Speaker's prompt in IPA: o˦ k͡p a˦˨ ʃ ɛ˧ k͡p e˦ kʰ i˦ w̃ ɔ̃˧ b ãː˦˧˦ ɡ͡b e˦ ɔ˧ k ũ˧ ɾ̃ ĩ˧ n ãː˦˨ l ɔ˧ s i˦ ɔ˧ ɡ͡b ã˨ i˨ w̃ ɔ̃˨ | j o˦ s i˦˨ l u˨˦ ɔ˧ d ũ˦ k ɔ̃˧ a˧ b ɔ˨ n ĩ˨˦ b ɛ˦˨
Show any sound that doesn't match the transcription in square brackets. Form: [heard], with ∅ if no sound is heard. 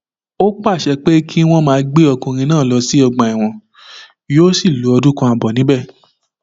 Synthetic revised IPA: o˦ k͡p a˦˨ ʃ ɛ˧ k͡p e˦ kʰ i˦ w̃ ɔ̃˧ [m] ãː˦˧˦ ɡ͡b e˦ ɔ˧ k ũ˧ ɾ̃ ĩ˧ n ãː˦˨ l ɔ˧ s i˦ ɔ˧ ɡ͡b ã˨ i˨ w̃ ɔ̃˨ | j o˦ s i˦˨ l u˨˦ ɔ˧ d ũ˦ k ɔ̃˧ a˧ b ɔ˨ n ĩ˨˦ b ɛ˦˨